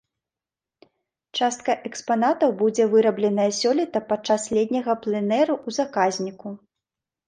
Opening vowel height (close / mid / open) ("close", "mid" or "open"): open